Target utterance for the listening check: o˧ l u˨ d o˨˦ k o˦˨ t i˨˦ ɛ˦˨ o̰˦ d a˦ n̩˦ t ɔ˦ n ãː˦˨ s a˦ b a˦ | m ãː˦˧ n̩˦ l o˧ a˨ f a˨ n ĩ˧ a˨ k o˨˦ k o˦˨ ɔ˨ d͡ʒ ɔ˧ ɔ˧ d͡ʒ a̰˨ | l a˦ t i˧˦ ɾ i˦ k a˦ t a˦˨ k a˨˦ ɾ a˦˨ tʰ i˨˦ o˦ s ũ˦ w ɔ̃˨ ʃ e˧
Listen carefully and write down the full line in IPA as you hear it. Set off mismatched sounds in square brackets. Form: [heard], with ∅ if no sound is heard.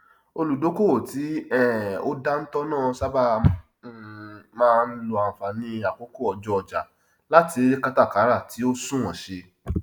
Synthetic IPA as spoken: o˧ l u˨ d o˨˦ k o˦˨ t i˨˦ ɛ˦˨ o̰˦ d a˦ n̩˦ t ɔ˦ n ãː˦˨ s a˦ b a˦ | m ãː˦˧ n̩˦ l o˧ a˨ f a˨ n ĩ˧ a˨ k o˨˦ k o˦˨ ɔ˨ d͡ʒ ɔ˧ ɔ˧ d͡ʒ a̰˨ | l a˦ t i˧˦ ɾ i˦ k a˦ t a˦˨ k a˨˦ ɾ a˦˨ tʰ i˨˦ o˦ s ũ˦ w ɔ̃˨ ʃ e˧